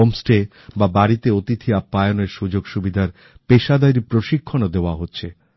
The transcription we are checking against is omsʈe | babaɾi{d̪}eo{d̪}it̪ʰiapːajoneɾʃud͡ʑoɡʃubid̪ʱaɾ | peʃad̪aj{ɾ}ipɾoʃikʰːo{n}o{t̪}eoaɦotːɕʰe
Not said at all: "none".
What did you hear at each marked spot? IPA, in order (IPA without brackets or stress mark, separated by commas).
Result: t̪, t̪, ɾ, n, d̪